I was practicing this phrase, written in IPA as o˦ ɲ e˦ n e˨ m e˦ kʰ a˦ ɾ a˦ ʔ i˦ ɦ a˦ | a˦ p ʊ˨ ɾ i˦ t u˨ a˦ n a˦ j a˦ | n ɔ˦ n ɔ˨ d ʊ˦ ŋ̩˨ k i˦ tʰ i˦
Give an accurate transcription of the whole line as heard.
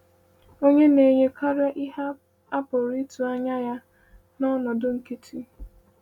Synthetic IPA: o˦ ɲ e˦ n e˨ ɲ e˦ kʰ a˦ ɾ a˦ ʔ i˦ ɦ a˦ | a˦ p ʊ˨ ɾ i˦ t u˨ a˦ ɲ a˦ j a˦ | n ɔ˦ n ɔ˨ d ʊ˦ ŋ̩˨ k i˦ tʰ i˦